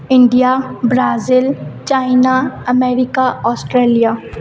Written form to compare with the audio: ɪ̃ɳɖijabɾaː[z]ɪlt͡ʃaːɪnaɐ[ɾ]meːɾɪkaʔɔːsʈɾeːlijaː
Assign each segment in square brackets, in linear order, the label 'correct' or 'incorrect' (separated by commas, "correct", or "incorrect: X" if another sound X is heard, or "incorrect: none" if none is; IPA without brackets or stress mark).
correct, incorrect: none